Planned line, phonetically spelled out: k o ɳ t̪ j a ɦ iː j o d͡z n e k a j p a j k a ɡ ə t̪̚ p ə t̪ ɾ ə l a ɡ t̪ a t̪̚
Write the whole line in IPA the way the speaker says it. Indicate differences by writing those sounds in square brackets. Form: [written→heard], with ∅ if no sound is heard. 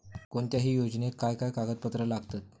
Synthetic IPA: k o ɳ t̪ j a ɦ iː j o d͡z n e k a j [p→k] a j k a ɡ ə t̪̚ p ə t̪ ɾ ə l a ɡ t̪ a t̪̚